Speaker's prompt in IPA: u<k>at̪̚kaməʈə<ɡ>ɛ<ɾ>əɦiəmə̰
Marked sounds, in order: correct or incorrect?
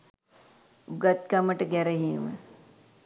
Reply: incorrect, correct, correct

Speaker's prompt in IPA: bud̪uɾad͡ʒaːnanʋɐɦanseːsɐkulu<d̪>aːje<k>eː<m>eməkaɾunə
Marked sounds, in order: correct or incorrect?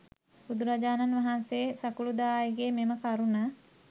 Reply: correct, incorrect, correct

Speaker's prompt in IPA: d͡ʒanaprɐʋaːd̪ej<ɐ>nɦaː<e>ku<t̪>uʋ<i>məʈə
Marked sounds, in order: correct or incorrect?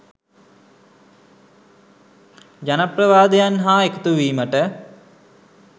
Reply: incorrect, correct, correct, incorrect

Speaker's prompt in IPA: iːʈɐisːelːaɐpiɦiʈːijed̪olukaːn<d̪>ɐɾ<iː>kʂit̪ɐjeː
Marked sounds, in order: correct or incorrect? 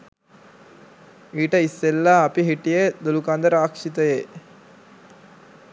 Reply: correct, incorrect

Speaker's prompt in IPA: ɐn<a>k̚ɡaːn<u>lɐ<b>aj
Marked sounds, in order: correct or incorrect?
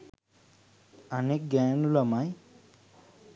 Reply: incorrect, correct, incorrect

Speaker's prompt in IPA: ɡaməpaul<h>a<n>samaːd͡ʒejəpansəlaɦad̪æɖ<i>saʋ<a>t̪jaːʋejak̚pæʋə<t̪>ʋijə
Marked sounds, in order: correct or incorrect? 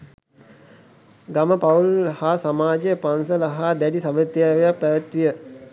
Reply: correct, incorrect, correct, incorrect, correct

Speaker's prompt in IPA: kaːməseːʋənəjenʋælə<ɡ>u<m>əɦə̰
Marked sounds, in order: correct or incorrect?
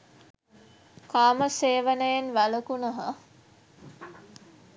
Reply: incorrect, incorrect

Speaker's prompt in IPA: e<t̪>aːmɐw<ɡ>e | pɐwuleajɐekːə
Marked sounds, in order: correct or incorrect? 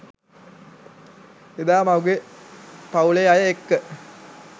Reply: incorrect, correct

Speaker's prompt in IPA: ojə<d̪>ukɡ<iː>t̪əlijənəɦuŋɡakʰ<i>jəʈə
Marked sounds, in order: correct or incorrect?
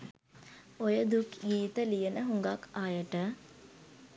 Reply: correct, correct, incorrect

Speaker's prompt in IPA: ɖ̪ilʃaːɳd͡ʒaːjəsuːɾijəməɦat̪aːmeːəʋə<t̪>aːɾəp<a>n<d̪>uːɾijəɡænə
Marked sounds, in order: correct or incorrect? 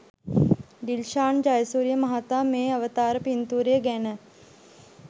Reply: correct, incorrect, incorrect

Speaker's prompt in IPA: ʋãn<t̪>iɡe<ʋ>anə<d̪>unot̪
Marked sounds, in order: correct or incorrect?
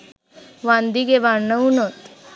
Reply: incorrect, correct, incorrect

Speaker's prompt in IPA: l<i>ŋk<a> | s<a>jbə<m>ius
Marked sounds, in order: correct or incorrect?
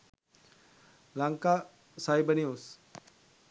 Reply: incorrect, correct, correct, incorrect

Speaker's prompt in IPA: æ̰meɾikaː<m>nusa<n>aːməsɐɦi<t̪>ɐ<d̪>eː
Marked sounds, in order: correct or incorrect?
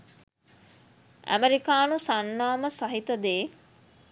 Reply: incorrect, incorrect, correct, correct

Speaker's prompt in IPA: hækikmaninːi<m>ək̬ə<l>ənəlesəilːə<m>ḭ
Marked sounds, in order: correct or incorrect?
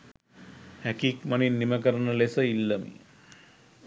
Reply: correct, incorrect, correct

